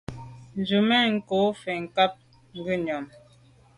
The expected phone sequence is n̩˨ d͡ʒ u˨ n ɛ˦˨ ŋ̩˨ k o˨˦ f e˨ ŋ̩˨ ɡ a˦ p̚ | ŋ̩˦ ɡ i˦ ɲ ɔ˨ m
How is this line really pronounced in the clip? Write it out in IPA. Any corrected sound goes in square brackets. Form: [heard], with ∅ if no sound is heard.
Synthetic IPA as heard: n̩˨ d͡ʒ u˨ [m] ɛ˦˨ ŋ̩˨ k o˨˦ f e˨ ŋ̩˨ [k] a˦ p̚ | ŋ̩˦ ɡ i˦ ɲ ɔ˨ m